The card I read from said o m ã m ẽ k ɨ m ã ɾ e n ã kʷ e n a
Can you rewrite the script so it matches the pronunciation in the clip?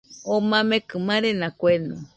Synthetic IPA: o m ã m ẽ k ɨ m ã ɾ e n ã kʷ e n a

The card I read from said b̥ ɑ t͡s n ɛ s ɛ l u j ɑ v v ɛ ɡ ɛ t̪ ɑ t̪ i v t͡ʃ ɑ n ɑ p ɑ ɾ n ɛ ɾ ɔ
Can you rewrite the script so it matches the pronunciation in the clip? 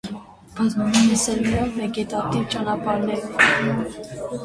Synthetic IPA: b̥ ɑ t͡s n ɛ s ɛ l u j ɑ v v ɛ ɡ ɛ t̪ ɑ t̪ i v t͡ʃ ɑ n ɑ p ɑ ɾ n ɛ ɾ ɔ

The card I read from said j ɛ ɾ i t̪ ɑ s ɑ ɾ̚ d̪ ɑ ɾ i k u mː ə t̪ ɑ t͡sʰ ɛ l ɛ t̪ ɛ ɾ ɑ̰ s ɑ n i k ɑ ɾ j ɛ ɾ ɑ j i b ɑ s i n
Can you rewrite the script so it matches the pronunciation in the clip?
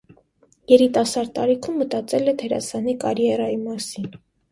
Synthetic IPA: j ɛ ɾ i t̪ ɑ s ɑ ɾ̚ t̪ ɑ ɾ i kʰ u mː ə t̪ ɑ t͡s ɛ l ɛ t̪ʰ ɛ ɾ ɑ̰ s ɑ n i k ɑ ɾ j ɛ ɾ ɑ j i m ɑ s i n

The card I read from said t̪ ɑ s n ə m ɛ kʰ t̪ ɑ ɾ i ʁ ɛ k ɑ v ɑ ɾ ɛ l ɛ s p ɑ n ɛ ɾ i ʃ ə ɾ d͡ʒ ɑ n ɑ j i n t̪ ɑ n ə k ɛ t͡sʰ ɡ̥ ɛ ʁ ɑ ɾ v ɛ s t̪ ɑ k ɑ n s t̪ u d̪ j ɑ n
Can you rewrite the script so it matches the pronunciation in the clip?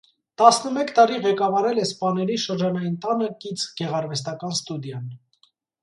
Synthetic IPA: t̪ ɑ s n ə m ɛ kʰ t̪ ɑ ɾ i ʁ ɛ k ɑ v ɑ ɾ ɛ l ɛ s p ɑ n ɛ ɾ i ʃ ə ɾ d͡ʒ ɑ n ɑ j i n t̪ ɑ n ə k i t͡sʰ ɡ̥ ɛ ʁ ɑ ɾ v ɛ s t̪ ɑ k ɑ n s t̪ u d̪ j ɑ n

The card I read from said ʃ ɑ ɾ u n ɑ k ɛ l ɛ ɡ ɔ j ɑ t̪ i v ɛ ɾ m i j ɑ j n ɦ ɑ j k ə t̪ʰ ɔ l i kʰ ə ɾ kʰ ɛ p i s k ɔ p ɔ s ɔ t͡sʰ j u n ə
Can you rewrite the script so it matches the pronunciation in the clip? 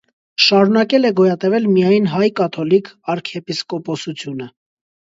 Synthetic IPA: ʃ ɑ ɾ u n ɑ k ɛ l ɛ ɡ ɔ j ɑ t̪ ɛ v ɛ l m i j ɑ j n ɦ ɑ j k ɑ t̪ʰ ɔ l i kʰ ɑ ɾ kʰ ɛ p i s k ɔ p ɔ s u t͡sʰ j u n ə

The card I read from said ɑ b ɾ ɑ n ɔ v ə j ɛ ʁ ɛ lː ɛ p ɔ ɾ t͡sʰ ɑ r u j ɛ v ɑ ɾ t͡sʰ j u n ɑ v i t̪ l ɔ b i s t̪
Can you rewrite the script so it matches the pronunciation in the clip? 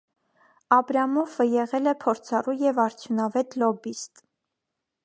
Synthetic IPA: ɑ b ɾ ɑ m ɔ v ə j ɛ ʁ ɛ l ɛ pʰ ɔ ɾ t͡sʰ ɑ r u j ɛ v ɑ ɾ t͡sʰ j u n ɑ v ɛ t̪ l ɔ b i s t̪

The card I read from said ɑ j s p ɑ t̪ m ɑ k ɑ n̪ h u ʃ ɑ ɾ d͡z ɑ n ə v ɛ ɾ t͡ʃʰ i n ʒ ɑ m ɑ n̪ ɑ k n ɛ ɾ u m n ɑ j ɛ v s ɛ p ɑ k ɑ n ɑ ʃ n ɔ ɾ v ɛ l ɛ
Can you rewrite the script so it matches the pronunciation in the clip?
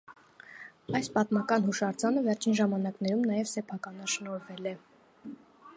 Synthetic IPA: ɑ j s p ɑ t̪ m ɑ k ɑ n̪ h u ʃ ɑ ɾ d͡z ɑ n ə v ɛ ɾ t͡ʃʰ i n ʒ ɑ m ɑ n̪ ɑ k n ɛ ɾ u m n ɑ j ɛ v s ɛ pʰ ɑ k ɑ n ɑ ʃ n ɔ ɾ v ɛ l ɛ

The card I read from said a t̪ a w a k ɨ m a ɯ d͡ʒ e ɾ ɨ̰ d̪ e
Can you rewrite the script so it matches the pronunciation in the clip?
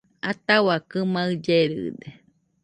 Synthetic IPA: a t̪ a w a k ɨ m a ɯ d͡ʒ e ɾ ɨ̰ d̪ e

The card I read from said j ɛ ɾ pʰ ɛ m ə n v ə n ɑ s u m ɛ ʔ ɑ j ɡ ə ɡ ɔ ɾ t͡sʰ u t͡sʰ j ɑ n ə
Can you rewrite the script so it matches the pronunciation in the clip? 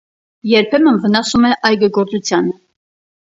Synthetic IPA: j ɛ ɾ pʰ ɛ m ə n v ə n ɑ s u m ɛ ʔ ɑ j ɡ ə ɡ ɔ ɾ t͡s u t͡sʰ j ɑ n ə

